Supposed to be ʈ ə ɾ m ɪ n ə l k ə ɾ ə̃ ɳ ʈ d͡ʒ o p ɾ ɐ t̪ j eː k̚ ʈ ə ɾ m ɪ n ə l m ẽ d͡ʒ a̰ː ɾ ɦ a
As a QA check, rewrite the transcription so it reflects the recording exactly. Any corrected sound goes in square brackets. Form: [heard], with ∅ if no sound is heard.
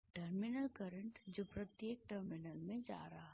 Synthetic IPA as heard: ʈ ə ɾ m ɪ n ə l k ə ɾ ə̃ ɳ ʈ d͡ʒ o p ɾ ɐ t̪ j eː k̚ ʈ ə ɾ m ɪ n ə l m ẽ d͡ʒ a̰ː ɾ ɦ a